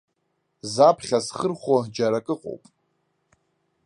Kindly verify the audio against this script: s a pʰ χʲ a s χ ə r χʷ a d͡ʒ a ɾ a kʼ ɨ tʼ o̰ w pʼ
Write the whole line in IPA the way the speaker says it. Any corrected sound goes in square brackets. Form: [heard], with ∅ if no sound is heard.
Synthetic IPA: [z] a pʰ χʲ a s χ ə r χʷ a d͡ʒ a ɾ a kʼ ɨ [qʼ] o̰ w pʼ

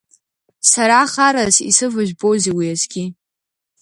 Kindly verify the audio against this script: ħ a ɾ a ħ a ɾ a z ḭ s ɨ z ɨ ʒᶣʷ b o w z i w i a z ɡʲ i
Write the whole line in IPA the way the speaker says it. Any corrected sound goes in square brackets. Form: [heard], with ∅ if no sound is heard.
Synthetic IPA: [s] a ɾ a [χ] a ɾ a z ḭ s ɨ [v] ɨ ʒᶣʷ b o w z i w i a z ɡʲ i

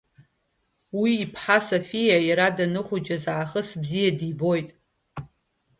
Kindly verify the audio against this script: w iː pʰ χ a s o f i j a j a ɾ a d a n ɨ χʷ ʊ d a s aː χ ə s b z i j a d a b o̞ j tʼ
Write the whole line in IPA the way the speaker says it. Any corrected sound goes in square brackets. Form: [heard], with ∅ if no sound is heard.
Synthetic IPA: w iː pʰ [ħ] a s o f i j a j a ɾ a d a n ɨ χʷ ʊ [d͡ʒ] a [z] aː χ ə s b z i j a d [i] b o̞ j tʼ

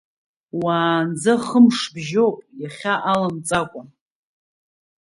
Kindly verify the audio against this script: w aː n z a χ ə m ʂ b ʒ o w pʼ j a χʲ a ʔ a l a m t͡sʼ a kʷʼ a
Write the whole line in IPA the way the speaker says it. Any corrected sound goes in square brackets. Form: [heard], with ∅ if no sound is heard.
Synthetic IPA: w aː n [d͡z] a χ ə m ʂ b ʒ o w pʼ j a χʲ a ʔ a l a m t͡sʼ a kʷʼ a

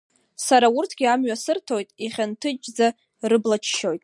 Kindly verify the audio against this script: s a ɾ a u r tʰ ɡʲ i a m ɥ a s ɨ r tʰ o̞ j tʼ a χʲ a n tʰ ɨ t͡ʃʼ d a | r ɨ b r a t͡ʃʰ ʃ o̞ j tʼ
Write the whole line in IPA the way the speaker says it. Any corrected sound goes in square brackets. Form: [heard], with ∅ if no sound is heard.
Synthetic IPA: s a ɾ a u r tʰ ɡʲ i a m ɥ a s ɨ r tʰ o̞ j tʼ [i] χʲ a n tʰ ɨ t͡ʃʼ [d͡z] a | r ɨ b [l] a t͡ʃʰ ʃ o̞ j tʼ

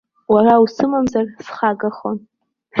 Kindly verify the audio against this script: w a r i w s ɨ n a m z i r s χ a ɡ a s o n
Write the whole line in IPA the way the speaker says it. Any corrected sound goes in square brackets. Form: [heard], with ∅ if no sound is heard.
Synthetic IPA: w a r [a] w s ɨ [m] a m z [a] r s χ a ɡ a [χ] o n

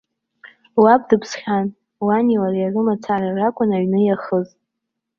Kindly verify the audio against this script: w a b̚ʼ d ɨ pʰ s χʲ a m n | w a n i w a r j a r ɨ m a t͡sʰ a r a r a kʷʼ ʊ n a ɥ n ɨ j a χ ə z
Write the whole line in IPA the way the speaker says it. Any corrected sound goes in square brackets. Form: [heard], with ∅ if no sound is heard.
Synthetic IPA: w a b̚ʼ d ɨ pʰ s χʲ a [∅] n | w a n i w a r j a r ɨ m a t͡sʰ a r a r a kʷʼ ʊ n a ɥ n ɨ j a χ ə z

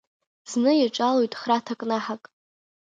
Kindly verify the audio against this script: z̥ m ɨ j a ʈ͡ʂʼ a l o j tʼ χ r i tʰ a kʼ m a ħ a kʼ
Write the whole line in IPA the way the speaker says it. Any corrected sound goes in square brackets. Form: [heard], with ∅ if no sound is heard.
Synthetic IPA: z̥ [n] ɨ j a ʈ͡ʂʼ a l o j tʼ χ r [a] tʰ a kʼ [n] a ħ a kʼ

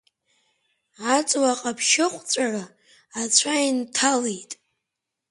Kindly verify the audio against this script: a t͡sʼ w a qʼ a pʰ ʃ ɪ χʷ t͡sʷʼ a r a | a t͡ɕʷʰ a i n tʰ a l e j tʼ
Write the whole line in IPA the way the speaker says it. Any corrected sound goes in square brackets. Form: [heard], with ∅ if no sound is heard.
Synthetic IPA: a t͡sʼ w a qʼ a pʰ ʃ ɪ χʷ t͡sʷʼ a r a | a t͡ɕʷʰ a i n tʰ a l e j tʼ

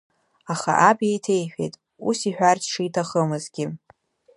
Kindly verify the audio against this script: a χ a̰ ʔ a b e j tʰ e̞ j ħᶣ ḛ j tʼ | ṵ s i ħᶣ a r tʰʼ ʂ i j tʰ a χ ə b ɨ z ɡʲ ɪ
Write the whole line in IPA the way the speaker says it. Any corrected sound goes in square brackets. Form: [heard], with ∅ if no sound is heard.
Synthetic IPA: a χ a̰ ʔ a b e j tʰ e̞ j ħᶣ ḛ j tʼ | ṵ s i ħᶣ a r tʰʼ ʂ i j tʰ a χ ə [m] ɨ z ɡʲ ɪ

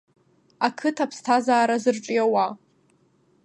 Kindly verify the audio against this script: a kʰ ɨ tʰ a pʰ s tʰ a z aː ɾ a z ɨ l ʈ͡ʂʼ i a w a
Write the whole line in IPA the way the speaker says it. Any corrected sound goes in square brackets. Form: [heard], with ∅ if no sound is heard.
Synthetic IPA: a kʰ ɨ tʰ a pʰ s tʰ a z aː ɾ a z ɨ [r] ʈ͡ʂʼ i a w a

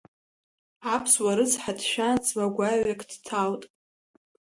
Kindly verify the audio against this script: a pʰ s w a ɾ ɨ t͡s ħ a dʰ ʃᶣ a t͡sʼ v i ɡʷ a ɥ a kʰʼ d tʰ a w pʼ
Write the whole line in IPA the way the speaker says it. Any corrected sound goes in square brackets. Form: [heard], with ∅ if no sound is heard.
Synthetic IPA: a pʰ s w a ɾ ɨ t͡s ħ a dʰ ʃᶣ a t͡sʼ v [a] ɡʷ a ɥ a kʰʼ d tʰ a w [tʼ]

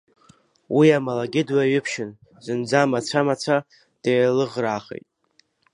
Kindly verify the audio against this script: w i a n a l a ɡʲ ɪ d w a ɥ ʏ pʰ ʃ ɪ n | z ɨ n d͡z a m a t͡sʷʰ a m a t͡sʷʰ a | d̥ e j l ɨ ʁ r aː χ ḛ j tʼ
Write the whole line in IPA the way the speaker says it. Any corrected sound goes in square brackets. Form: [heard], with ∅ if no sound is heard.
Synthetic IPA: w i a [m] a l a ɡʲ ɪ d w a ɥ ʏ pʰ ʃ ɪ n | z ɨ n d͡z a m a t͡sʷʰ a m a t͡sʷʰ a | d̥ e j l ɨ ʁ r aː χ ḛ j tʼ

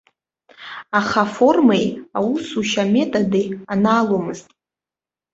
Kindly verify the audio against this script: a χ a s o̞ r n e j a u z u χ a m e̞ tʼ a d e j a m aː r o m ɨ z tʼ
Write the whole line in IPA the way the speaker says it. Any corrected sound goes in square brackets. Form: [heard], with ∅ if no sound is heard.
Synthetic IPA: a χ a [f] o̞ r [m] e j a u [s] u [ʃ] a m e̞ tʼ a d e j a [n] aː [l] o m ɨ z tʼ

